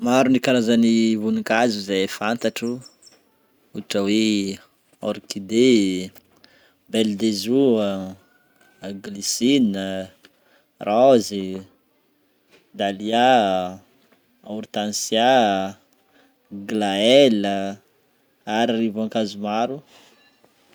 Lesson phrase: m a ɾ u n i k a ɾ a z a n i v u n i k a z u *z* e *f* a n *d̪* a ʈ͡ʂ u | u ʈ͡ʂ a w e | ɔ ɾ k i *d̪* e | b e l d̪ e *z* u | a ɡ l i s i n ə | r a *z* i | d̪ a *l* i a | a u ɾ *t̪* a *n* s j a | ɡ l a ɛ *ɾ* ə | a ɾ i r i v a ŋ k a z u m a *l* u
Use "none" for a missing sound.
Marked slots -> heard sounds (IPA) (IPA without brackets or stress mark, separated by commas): z, f, t̪, d̪, z, z, l, t̪, n, l, ɾ